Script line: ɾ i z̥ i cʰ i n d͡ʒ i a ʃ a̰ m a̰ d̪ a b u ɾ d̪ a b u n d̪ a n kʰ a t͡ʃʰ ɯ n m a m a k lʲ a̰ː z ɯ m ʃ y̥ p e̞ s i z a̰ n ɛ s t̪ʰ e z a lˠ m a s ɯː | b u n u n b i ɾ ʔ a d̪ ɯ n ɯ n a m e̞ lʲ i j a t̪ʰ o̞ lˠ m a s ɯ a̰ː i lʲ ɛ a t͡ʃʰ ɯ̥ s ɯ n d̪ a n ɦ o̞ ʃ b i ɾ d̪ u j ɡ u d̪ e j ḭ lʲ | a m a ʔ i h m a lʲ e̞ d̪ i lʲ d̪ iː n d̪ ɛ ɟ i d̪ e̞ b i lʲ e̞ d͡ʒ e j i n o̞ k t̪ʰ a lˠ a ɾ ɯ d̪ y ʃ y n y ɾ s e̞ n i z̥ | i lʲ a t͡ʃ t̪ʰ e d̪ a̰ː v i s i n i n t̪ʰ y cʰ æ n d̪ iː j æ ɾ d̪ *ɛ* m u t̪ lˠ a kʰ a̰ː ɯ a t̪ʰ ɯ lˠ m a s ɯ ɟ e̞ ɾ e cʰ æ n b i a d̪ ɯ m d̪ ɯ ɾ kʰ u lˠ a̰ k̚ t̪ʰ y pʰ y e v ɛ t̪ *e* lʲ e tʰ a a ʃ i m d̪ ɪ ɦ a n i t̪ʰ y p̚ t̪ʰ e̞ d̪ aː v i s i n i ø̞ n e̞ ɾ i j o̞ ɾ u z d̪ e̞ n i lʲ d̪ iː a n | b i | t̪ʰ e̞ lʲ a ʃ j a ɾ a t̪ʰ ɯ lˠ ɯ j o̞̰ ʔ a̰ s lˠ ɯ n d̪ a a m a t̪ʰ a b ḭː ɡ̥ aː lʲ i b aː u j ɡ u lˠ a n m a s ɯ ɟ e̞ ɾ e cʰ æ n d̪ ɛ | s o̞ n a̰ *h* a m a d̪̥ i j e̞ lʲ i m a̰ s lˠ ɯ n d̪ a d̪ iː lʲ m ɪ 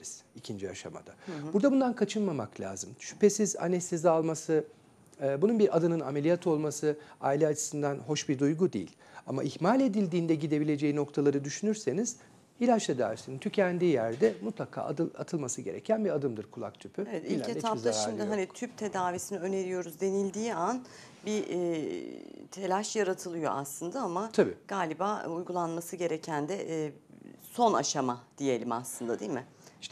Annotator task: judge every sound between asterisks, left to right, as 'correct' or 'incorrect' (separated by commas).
correct, incorrect, incorrect